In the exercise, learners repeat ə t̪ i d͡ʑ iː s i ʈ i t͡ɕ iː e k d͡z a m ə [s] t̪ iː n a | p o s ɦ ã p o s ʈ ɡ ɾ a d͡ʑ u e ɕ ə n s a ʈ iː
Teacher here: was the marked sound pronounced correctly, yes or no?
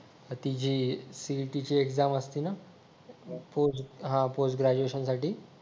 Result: yes